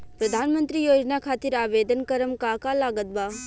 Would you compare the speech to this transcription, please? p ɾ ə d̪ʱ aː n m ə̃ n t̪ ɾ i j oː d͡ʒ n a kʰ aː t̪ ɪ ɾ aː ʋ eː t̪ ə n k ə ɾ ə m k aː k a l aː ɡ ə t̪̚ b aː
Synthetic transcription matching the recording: p ɾ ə d̪ʱ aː n m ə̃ n t̪ ɾ i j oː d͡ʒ n a kʰ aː t̪ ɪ ɾ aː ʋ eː d̪ ə n k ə ɾ ə m k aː k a l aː ɡ ə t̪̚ b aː

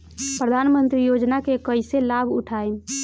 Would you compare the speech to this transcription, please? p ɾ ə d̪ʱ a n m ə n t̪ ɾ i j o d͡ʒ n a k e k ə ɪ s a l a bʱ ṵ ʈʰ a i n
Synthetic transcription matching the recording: p ɾ ə d̪ʱ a n m ə n t̪ ɾ i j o d͡ʒ n a k e k ə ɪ s e l a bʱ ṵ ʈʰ a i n

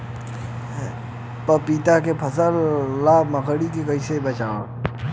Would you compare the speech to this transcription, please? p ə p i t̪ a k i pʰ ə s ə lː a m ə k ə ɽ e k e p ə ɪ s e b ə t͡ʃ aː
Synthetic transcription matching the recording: p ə p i t̪ a k e pʰ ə s ə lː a m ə k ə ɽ i k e k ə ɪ s e b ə t͡ʃ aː

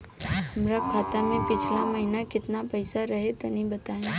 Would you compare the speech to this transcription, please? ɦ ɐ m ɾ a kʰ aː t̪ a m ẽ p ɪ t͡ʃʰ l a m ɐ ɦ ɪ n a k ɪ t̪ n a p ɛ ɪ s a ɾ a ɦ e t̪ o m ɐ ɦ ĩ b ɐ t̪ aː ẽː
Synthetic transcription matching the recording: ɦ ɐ m ɾ a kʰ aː t̪ a m ẽ p ɪ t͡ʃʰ l a m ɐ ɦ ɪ n a k ɪ t̪ n a p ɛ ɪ s a ɾ ɐ ɦ e t̪ o n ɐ ɦ ĩ b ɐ t̪ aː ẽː

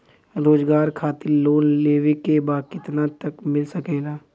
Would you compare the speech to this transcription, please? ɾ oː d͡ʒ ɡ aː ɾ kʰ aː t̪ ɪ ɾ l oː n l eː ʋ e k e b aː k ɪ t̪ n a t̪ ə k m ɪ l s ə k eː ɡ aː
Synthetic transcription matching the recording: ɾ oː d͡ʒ ɡ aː ɾ kʰ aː t̪ ɪ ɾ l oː n l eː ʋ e k e b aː k ɪ t̪ n a t̪ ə k m ɪ l s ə k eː ɡ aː

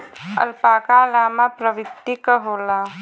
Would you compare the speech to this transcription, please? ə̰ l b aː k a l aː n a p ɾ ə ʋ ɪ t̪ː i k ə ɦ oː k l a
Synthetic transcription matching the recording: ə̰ l p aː k a l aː m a p ɾ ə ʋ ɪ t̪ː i k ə ɦ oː l a

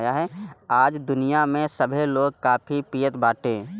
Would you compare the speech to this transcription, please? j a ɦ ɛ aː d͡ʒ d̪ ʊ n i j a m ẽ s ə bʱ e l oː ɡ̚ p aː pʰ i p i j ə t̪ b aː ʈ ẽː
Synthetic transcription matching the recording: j a ɦ ɛ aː d͡ʒ d̪ ʊ n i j a m ẽ s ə bʱ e l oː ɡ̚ k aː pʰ i p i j ə t̪ b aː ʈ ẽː

